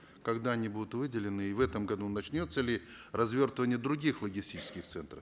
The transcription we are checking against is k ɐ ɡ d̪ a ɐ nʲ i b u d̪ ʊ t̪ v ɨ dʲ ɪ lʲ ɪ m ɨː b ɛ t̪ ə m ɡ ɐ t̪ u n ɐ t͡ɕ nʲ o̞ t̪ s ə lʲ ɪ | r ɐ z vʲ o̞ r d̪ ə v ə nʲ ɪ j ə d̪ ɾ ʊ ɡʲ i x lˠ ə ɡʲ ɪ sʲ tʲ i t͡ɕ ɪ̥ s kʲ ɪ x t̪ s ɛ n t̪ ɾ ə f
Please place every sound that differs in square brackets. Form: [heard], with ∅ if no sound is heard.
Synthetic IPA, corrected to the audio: k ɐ ɡ d̪ a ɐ nʲ i b u d̪ ʊ t̪ v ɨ dʲ ɪ lʲ ɪ [n] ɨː [v] ɛ t̪ ə m ɡ ɐ [d̪] u n ɐ t͡ɕ nʲ o̞ t̪ s ə lʲ ɪ | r ɐ z vʲ o̞ r [t̪] ə v ə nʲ ɪ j ə d̪ ɾ ʊ ɡʲ i x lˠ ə ɡʲ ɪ sʲ tʲ i t͡ɕ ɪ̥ s kʲ ɪ x t̪ s ɛ n t̪ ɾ ə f